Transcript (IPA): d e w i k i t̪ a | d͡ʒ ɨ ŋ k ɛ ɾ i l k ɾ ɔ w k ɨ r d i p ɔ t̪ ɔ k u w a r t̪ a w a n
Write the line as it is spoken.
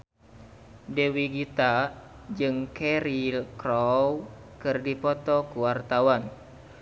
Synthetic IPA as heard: d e w i ɡ i t̪ a | d͡ʒ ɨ ŋ k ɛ ɾ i l k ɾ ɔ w k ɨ r d i p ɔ t̪ ɔ k u w a r t̪ a w a n